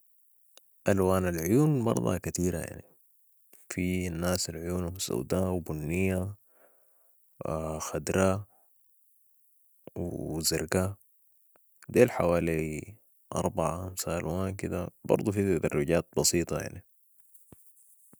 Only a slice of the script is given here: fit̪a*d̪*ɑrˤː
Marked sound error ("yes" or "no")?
no